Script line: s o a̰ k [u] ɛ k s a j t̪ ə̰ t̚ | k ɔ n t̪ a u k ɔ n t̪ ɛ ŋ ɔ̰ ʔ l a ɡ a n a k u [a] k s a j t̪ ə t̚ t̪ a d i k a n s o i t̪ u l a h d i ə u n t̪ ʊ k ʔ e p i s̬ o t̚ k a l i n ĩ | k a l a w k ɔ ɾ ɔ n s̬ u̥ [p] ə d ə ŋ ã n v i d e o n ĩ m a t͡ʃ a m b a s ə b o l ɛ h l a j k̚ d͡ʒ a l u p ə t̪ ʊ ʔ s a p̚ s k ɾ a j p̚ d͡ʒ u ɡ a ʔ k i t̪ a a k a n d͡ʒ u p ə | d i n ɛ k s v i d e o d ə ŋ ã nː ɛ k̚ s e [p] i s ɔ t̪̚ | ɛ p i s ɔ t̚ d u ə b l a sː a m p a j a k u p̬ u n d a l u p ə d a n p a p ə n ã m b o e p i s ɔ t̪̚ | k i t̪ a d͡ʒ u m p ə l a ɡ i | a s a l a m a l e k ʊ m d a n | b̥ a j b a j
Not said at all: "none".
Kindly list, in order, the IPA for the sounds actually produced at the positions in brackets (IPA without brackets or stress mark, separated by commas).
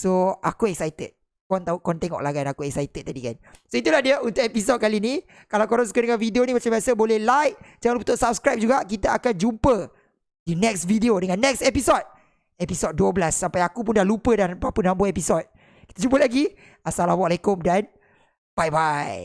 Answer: u, ɛ, k, p